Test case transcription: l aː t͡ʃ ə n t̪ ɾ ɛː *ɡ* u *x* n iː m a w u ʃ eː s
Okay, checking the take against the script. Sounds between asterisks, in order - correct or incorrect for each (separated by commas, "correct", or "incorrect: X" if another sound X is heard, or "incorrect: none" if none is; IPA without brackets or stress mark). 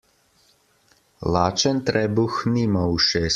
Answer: incorrect: b, correct